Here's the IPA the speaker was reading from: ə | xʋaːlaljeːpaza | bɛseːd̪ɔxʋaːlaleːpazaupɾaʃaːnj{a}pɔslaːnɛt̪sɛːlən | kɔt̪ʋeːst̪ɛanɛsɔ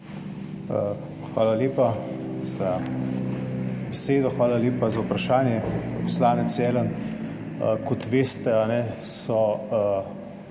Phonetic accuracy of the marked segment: incorrect: ɛ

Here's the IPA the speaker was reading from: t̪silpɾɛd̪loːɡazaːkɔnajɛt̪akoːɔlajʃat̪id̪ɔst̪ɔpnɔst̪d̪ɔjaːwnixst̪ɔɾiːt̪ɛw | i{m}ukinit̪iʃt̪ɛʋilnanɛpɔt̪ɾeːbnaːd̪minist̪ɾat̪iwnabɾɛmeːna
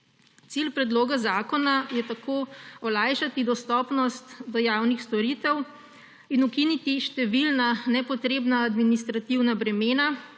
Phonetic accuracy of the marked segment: incorrect: n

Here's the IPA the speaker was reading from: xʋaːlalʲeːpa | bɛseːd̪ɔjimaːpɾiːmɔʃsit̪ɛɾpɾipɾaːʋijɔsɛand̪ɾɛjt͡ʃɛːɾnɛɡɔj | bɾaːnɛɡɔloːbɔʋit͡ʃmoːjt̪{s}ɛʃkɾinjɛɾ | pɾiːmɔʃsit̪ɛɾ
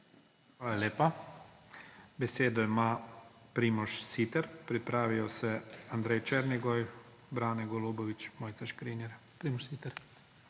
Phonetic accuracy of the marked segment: correct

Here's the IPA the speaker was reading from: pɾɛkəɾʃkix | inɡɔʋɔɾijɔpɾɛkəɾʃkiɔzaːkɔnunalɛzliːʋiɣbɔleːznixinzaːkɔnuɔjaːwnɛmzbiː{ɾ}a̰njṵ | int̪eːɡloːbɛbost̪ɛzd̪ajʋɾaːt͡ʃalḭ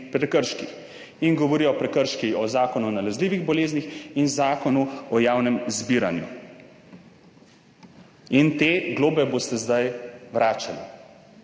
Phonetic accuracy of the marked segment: correct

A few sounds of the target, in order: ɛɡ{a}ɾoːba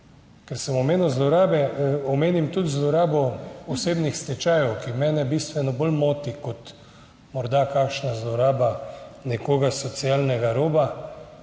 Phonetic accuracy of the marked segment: correct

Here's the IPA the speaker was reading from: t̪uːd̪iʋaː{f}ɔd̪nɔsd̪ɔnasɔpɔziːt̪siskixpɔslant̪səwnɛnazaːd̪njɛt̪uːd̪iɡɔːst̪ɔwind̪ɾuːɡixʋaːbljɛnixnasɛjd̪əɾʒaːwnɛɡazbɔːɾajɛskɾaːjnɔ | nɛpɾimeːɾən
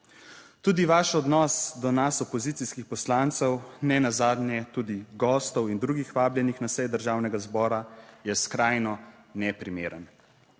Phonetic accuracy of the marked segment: incorrect: ʃ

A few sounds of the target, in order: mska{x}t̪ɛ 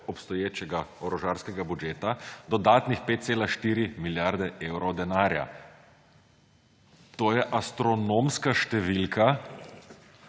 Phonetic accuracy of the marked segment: incorrect: ʃ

